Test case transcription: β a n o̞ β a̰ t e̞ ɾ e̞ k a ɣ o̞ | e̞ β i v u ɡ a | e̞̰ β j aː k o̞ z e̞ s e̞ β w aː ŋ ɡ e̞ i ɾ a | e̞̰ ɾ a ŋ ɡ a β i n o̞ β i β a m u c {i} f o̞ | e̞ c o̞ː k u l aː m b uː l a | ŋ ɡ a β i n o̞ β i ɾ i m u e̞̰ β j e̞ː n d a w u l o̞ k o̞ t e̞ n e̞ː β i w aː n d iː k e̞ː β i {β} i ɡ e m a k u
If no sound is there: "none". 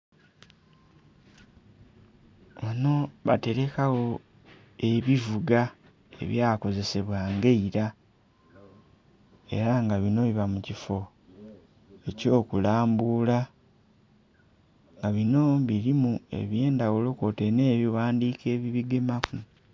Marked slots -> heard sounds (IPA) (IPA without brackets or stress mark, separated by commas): i, β